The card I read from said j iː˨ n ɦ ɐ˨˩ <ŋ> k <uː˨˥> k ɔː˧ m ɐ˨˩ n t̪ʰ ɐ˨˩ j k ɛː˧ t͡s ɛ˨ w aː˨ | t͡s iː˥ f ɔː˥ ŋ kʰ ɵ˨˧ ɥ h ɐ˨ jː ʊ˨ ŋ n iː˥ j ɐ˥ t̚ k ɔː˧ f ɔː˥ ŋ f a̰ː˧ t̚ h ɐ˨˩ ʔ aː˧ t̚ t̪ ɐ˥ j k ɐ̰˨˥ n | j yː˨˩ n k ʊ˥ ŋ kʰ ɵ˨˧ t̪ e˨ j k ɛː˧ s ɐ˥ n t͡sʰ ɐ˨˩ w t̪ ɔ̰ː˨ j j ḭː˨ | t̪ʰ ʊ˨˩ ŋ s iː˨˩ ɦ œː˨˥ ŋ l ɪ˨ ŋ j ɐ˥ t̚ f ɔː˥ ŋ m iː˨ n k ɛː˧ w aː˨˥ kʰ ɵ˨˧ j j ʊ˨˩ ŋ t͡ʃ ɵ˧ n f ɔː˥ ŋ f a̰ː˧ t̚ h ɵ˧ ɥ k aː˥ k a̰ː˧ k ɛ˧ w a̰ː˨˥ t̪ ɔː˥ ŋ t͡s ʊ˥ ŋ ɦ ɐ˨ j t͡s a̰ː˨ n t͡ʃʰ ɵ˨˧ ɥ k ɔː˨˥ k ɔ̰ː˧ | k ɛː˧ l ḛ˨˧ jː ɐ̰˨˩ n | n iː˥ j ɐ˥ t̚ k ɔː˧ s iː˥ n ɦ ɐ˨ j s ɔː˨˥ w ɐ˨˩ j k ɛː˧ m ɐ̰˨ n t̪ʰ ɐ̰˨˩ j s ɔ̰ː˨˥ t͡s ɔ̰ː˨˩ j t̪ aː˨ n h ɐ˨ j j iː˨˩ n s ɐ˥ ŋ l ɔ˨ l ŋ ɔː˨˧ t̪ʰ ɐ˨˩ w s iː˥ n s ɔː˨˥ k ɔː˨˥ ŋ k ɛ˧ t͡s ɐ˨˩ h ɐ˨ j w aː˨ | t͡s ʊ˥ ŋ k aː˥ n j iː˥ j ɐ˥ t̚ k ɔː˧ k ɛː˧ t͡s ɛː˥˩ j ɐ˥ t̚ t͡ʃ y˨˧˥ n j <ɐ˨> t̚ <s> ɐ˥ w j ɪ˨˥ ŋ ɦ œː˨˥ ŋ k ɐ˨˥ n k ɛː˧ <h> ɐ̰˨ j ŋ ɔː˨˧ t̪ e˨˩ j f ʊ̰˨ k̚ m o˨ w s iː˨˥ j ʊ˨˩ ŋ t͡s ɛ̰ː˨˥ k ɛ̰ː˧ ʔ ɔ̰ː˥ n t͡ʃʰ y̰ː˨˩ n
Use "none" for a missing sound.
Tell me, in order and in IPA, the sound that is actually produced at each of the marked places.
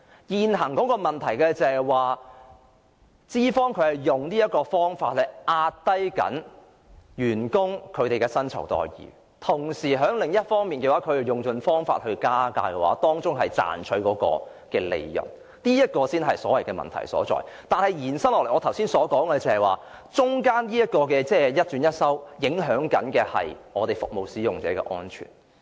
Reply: ŋ, ɔː˨˥, ɐ˥, s, h

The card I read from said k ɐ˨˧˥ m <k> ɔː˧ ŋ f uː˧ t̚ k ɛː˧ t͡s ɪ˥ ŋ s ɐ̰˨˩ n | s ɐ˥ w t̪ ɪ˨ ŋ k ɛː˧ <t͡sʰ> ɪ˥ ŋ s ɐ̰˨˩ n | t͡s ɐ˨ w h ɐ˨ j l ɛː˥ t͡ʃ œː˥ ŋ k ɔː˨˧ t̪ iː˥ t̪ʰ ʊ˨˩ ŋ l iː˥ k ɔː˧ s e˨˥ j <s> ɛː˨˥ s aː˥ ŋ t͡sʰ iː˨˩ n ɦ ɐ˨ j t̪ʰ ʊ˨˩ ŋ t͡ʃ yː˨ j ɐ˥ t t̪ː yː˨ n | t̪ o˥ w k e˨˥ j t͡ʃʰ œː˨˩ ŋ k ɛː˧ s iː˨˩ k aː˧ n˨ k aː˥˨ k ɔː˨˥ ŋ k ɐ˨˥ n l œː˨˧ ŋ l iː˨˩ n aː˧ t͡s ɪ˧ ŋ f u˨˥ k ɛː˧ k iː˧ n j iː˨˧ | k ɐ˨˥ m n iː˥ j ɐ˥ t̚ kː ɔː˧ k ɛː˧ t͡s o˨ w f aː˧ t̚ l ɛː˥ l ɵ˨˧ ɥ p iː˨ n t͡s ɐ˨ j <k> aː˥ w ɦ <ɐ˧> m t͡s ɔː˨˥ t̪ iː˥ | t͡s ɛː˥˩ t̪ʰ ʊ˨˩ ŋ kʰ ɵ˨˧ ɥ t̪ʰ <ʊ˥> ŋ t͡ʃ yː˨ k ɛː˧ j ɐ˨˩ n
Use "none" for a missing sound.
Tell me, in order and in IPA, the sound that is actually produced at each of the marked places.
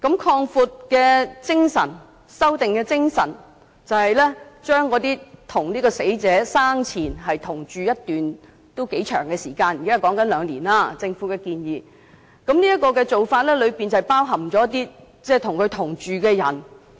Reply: kʰ, t͡s, t͡s, p, ɐ˨˩, ʊ˨˩

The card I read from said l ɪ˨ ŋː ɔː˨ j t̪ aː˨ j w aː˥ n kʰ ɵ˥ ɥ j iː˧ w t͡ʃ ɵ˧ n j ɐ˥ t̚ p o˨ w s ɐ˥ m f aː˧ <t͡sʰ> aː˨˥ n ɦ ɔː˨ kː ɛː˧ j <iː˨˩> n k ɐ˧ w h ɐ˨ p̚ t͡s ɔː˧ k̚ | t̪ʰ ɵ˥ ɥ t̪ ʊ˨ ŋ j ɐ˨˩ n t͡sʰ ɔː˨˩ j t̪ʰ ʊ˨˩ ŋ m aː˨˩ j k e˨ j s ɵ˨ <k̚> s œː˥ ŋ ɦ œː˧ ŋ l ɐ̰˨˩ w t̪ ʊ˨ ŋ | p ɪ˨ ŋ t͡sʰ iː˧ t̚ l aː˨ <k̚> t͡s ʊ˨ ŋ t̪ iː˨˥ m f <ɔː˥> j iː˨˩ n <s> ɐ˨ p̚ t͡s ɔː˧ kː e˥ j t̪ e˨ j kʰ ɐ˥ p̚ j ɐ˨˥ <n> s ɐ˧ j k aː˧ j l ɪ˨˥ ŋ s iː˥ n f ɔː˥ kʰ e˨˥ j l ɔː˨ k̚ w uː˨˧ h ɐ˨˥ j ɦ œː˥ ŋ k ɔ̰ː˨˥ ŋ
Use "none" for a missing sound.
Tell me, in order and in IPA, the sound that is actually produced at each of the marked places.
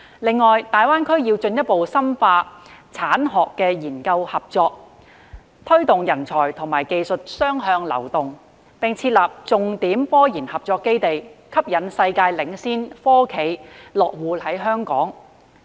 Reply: t͡sʰ, iː˨˩, t̚, p̚, ɔː˥, h, n

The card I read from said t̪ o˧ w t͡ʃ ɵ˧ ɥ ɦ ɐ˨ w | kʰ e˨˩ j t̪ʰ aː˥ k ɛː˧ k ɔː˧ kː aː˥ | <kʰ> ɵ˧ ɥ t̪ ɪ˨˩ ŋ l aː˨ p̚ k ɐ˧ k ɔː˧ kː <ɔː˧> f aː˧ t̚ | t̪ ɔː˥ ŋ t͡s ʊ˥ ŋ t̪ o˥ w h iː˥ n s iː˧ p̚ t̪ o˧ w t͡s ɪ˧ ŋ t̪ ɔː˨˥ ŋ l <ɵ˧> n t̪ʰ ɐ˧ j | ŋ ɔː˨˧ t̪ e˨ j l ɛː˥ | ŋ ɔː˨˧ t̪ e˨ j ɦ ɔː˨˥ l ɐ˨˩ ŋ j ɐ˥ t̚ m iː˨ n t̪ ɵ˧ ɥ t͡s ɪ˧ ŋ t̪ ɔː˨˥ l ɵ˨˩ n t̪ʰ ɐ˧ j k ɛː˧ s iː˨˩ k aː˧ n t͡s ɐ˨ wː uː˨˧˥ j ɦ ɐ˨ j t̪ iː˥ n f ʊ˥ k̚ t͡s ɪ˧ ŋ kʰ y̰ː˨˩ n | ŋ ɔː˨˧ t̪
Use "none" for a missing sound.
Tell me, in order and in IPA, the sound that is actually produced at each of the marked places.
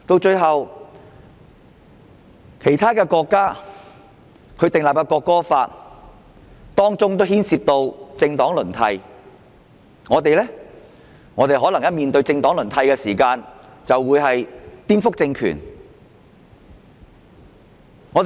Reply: kʰ, ɔː˥, ɵ˨˩

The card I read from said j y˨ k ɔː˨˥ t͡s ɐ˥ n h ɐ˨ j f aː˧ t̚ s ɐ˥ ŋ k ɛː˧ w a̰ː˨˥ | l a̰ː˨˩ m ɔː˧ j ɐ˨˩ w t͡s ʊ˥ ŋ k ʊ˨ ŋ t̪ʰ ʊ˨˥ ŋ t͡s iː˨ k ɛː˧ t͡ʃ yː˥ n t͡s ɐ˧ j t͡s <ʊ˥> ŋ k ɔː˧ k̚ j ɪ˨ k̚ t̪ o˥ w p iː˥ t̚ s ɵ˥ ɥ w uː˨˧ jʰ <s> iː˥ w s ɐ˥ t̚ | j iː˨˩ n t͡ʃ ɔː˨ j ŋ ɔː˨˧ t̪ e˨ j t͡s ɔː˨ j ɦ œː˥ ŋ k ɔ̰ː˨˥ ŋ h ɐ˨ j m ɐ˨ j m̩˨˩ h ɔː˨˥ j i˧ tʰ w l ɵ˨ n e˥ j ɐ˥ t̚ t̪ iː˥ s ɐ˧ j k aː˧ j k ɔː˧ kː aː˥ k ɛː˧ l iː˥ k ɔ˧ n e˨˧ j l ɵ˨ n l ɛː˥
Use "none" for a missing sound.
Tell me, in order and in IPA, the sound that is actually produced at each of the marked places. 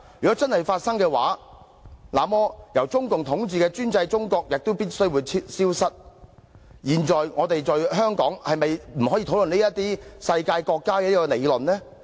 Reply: ʊ˥, s

